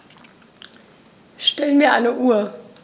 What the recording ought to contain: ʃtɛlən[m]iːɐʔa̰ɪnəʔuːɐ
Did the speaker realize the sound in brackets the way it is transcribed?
yes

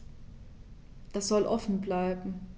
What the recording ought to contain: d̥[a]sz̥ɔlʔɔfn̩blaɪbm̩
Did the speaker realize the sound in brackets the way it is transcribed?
yes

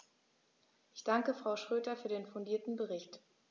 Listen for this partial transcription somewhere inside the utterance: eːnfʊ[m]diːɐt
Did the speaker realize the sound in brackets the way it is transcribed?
no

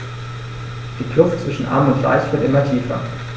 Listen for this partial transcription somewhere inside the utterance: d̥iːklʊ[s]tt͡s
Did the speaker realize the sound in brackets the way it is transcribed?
no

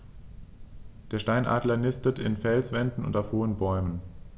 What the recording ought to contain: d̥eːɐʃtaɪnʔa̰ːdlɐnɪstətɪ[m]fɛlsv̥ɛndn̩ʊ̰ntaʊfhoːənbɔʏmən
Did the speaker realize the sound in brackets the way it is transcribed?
no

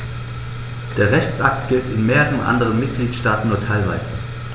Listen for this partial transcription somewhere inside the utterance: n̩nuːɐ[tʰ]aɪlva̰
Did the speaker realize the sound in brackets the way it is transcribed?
yes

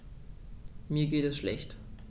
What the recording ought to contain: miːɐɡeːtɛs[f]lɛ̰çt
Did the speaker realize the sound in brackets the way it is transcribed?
no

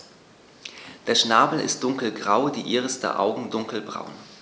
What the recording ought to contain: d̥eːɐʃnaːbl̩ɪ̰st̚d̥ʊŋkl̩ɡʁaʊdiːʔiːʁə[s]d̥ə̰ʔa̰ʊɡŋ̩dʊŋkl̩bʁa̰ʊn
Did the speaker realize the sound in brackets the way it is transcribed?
yes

